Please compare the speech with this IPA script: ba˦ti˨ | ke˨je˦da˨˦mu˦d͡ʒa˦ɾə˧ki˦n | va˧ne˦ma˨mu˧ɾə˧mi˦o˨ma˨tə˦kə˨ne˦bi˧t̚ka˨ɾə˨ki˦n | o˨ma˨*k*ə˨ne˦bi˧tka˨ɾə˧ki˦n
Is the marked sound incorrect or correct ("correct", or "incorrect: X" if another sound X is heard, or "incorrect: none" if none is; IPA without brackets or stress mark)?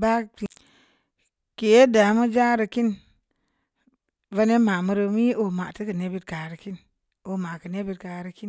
correct